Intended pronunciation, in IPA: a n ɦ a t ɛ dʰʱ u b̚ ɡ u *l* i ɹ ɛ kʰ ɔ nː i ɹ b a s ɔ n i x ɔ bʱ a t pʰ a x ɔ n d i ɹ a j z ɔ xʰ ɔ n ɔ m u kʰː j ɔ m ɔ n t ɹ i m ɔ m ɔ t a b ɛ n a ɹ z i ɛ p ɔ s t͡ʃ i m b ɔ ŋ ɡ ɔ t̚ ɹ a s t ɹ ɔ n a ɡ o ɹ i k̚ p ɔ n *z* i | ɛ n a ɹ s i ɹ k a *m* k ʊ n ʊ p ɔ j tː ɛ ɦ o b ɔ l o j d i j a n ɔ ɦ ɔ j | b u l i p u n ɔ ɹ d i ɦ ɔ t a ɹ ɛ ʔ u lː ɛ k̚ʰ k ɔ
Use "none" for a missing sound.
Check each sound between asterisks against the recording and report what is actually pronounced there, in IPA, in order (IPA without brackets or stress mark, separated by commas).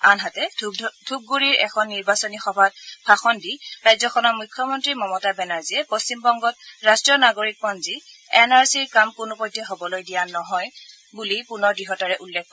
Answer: ɹ, z, m